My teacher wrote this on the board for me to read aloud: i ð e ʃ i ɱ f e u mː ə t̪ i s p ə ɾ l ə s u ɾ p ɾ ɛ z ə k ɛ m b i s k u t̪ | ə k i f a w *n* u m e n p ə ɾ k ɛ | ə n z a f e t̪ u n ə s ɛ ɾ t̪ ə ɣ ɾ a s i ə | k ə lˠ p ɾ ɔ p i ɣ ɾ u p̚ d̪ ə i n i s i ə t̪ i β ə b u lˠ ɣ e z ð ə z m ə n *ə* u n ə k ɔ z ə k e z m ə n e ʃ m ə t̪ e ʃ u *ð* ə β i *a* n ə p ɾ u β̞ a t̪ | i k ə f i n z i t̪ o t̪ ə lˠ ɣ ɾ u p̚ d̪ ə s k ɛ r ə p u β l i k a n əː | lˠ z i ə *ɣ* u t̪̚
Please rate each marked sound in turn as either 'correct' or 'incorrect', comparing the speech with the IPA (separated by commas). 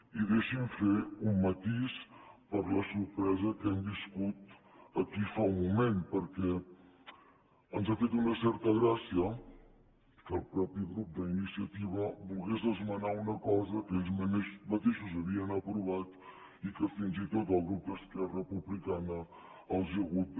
incorrect, incorrect, incorrect, incorrect, correct